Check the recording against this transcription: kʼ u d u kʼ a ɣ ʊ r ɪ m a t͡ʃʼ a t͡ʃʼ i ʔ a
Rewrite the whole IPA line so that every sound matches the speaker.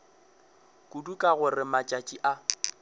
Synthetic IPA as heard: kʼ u d u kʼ a ɣ ʊ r ɪ m a t͡ʃʼ a t͡ʃʼ i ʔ a